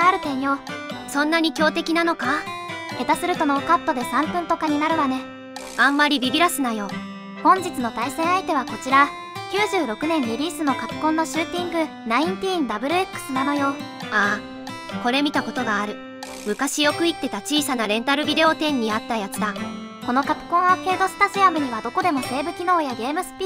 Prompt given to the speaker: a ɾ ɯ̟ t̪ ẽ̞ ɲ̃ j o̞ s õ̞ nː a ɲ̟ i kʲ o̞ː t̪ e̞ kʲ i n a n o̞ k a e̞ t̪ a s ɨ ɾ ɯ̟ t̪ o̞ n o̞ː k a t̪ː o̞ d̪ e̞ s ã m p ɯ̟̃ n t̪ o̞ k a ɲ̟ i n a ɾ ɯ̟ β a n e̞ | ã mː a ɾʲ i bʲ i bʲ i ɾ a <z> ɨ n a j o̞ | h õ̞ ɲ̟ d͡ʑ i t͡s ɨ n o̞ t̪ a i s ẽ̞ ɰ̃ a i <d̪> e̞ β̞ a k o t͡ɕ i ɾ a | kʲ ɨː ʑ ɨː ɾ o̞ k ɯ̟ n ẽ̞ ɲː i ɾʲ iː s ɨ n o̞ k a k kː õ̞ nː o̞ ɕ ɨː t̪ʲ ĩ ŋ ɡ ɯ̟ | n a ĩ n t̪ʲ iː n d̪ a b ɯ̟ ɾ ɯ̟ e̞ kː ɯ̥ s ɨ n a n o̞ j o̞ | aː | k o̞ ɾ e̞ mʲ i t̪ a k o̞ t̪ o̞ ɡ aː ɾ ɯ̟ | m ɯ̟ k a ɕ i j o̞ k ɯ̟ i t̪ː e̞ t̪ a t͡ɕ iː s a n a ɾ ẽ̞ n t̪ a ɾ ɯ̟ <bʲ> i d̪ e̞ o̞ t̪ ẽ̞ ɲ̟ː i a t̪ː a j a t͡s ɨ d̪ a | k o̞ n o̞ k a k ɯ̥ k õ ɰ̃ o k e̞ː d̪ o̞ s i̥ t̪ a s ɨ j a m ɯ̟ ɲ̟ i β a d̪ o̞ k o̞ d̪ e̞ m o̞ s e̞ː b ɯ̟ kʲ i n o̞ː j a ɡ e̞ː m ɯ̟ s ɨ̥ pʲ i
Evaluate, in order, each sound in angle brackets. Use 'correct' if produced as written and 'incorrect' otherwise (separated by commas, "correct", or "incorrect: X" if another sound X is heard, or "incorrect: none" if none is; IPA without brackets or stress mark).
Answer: incorrect: s, incorrect: t̪, correct